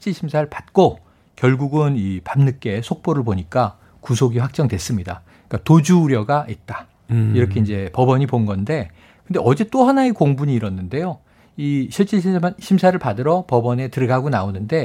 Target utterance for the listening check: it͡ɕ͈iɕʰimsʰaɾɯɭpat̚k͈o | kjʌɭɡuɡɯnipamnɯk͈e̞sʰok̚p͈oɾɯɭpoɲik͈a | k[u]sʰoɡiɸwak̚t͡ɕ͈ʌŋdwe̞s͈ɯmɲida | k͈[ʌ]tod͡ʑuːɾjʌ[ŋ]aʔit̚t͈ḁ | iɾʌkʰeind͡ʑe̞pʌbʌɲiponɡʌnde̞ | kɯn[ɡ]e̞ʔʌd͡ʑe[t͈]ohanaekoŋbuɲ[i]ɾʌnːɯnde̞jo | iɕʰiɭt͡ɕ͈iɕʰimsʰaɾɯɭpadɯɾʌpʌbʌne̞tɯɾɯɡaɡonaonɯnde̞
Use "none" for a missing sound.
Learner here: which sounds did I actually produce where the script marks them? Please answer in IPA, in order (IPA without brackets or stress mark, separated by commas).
u, a, ɡ, d, t͈, iː